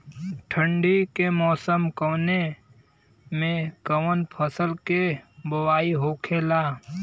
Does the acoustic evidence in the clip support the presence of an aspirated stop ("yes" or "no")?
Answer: yes